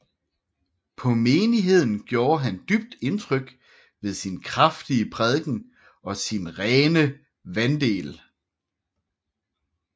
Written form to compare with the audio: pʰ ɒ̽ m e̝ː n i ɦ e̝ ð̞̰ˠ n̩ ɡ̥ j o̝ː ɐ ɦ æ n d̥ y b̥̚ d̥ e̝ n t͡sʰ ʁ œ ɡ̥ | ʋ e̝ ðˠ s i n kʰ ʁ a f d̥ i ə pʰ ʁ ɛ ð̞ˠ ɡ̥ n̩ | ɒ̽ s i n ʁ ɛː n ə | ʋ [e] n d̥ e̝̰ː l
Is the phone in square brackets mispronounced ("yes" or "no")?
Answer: yes